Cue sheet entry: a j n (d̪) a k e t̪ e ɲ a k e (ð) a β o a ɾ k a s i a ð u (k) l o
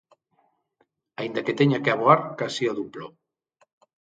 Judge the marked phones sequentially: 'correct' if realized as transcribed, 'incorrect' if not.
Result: correct, incorrect: none, incorrect: p

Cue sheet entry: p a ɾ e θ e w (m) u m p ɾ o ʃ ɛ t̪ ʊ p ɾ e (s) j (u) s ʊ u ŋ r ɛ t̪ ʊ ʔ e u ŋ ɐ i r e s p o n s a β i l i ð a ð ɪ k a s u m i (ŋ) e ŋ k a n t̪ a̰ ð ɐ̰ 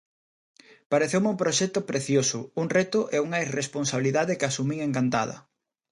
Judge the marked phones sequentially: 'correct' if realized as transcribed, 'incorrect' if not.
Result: correct, incorrect: θ, incorrect: o, correct

